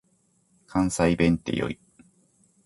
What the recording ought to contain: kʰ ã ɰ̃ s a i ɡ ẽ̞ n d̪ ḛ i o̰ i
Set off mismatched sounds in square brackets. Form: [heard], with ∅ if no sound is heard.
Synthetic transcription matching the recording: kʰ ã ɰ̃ s a i [b] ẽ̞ n [t̪] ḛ [j] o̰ i